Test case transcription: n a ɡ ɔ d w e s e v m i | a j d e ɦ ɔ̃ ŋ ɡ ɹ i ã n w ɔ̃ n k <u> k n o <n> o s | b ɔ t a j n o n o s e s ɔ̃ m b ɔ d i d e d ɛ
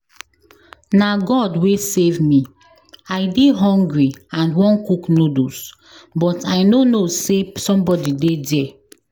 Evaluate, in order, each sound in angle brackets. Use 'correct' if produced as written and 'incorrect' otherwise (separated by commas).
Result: correct, incorrect